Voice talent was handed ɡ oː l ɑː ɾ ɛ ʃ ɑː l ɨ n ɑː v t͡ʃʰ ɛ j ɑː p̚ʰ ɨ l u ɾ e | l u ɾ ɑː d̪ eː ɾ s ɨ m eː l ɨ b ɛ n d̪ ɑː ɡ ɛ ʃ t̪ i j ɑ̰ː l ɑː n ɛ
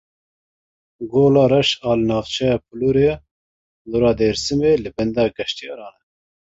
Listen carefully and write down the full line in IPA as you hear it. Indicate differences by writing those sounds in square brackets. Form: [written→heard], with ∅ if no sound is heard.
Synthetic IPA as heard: ɡ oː l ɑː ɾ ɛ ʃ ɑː l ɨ n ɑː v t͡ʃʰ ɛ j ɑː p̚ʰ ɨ l u ɾ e | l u ɾ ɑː d̪ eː ɾ s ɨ m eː l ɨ b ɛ n d̪ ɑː ɡ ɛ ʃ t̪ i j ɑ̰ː [l→ɾ] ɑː n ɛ